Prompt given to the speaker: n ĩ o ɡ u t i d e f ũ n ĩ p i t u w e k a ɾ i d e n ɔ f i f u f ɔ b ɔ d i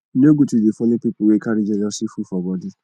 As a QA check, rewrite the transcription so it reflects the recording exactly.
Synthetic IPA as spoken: n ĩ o ɡ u t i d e f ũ n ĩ p i p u w e k a ɾ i d͡ʒ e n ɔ s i f u f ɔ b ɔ d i